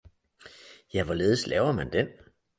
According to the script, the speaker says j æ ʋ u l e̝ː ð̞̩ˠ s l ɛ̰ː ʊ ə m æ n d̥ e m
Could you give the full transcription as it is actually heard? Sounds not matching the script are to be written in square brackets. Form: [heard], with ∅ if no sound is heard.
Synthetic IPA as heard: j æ ʋ [ɒ] l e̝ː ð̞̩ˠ s l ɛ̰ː ʊ [ɐ] m æ n d̥ e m